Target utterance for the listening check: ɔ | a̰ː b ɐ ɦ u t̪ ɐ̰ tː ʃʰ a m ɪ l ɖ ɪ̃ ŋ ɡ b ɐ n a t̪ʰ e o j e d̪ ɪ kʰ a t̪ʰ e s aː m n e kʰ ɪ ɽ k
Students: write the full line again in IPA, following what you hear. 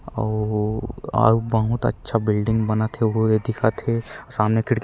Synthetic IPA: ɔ | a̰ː b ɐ ɦ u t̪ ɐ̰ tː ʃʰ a b ɪ l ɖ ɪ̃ ŋ ɡ b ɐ n a t̪ʰ e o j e d̪ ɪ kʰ a t̪ʰ e s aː m n e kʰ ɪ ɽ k